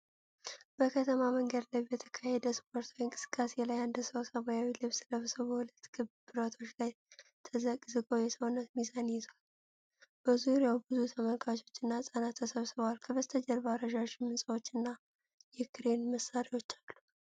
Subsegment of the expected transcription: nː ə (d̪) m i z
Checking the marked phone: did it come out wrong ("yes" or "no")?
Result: yes